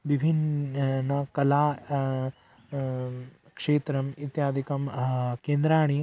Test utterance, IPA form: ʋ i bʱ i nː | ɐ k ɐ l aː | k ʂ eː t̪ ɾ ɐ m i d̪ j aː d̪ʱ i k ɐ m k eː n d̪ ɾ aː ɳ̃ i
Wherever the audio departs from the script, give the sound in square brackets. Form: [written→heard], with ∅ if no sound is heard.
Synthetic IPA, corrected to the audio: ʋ i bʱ i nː | ɐ k ɐ l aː | k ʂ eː t̪ ɾ ɐ m i [d̪→t̪] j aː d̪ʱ i k ɐ m k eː n d̪ ɾ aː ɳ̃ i

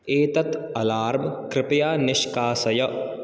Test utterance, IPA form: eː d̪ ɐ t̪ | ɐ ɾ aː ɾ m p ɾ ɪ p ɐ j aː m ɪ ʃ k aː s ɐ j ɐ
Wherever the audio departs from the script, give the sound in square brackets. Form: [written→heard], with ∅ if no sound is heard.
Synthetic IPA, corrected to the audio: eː [d̪→t̪] ɐ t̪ | ɐ [ɾ→l] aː ɾ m [p→k] ɾ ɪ p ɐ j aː [m→n] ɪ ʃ k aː s ɐ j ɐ

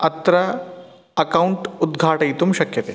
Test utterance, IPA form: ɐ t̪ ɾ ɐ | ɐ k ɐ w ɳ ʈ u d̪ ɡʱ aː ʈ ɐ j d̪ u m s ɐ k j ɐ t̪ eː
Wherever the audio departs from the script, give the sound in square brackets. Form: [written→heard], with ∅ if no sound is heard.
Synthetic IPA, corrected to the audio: ɐ t̪ ɾ ɐ | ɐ k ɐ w ɳ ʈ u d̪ ɡʱ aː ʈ ɐ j [d̪→t̪] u m [s→ʃ] ɐ k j ɐ t̪ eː

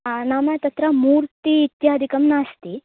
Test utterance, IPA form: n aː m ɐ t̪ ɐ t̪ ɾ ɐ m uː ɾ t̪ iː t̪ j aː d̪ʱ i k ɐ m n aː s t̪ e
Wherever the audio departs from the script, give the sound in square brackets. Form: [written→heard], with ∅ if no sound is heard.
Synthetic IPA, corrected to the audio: n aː m ɐ t̪ ɐ t̪ ɾ ɐ m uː ɾ t̪ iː t̪ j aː d̪ʱ i k ɐ m n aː s t̪ [e→i]

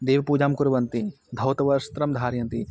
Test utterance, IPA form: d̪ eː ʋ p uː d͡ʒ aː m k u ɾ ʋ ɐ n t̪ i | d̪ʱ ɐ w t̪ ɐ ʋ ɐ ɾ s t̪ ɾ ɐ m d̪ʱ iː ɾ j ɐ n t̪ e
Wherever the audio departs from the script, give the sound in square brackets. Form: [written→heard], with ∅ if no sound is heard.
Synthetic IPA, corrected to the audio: d̪ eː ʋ p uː d͡ʒ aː m k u ɾ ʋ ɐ n t̪ i | d̪ʱ ɐ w t̪ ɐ ʋ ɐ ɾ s t̪ ɾ ɐ m d̪ʱ [iː→aː] ɾ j ɐ n t̪ [e→i]

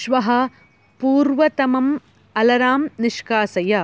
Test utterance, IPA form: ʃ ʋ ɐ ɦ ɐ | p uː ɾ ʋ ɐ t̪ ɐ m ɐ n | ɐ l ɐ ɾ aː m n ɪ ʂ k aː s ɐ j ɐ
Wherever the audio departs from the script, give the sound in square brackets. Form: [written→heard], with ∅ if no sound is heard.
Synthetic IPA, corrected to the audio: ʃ ʋ ɐ ɦ ɐ | p uː ɾ ʋ ɐ t̪ ɐ m ɐ [n→m] | ɐ l ɐ ɾ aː m n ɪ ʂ k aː s ɐ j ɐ

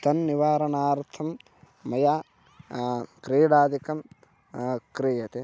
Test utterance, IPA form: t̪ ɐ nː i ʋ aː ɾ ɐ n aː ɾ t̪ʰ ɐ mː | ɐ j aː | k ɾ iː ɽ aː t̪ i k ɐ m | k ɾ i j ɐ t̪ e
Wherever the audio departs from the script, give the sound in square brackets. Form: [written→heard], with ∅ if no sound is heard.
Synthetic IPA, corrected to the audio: t̪ ɐ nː i ʋ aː ɾ ɐ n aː ɾ t̪ʰ ɐ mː | ɐ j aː | k ɾ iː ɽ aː [t̪→d̪] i k ɐ m | k ɾ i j ɐ t̪ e

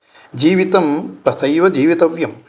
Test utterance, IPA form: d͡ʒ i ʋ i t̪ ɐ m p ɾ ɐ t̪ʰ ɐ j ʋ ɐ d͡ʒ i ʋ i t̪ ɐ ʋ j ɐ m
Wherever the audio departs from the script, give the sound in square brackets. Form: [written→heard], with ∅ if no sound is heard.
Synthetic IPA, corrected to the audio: d͡ʒ [i→iː] ʋ i t̪ ɐ m p ɾ ɐ t̪ʰ ɐ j ʋ ɐ d͡ʒ [i→iː] ʋ i t̪ ɐ ʋ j ɐ m

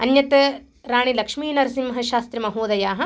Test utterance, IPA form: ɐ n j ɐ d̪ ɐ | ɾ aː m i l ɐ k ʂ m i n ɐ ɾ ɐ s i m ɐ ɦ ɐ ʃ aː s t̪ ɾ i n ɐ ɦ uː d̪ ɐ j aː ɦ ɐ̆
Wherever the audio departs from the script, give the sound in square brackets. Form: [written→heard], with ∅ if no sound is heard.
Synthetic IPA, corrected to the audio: ɐ n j ɐ [d̪→t̪] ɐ | ɾ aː [m→ɳ] i l ɐ k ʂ m [i→iː] n ɐ ɾ ɐ s i m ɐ ɦ ɐ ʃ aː s t̪ ɾ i [n→m] ɐ ɦ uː d̪ ɐ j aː ɦ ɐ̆

